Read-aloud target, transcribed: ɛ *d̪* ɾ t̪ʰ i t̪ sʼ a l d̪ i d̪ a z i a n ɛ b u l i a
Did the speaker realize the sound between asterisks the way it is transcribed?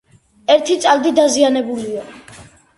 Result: no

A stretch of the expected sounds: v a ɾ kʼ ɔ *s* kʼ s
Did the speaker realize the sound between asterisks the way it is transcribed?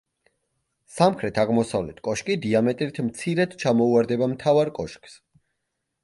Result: no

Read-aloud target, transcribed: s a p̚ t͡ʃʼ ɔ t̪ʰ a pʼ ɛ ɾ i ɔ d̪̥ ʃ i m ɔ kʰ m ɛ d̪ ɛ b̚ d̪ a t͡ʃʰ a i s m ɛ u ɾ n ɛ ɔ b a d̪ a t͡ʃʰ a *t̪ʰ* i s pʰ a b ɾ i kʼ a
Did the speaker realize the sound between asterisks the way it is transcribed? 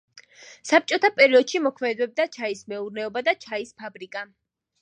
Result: no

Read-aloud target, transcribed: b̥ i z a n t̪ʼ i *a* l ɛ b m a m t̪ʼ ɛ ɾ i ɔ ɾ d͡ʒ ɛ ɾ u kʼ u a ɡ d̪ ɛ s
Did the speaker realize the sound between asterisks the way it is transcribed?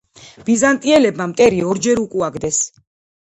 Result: no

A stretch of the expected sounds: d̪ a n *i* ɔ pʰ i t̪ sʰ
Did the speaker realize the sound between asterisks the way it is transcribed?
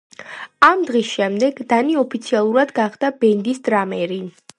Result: yes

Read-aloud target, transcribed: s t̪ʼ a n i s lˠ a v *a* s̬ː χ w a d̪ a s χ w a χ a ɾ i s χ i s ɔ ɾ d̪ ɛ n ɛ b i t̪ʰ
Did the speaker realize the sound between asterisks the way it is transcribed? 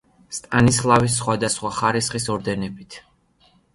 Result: no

